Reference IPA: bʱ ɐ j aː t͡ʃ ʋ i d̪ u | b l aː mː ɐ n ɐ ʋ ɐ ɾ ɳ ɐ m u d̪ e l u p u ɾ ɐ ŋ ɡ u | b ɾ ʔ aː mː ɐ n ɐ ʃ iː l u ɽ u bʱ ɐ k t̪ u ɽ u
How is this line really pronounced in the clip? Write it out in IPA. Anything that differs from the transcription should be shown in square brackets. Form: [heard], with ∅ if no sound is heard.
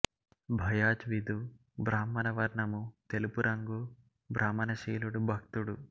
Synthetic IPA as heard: bʱ ɐ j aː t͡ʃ ʋ i d̪ u | b [ɾ] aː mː ɐ n ɐ ʋ ɐ ɾ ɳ ɐ m u [t̪] e l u p u ɾ ɐ ŋ ɡ u | b ɾ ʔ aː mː ɐ n ɐ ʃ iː l u ɽ u bʱ ɐ k t̪ u ɽ u